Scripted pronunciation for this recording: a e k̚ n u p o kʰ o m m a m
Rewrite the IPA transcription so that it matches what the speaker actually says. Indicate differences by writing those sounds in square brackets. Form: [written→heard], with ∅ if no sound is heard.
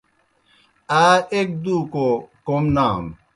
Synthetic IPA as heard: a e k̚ [n→d] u [p→k] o [kʰ→k] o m [m→n] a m